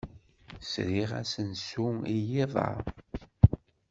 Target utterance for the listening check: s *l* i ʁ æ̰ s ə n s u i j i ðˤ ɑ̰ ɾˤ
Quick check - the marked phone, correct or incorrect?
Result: incorrect